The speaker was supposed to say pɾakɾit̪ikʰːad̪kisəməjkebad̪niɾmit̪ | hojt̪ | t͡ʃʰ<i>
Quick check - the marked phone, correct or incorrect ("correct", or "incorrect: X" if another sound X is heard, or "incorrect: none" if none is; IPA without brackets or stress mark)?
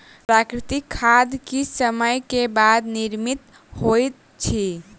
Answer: correct